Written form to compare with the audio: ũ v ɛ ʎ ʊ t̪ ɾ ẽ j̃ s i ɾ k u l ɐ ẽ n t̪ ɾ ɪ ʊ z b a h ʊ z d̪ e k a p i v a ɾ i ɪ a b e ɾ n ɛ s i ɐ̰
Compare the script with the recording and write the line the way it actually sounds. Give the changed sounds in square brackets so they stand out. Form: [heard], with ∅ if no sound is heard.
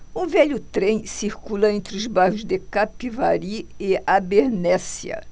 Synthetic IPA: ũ v ɛ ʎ ʊ t̪ ɾ ẽ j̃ s i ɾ k u l ɐ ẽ n t̪ ɾ ɪ ʊ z b a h ʊ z d̪ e k a p i v a ɾ i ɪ a b e ɾ n ɛ s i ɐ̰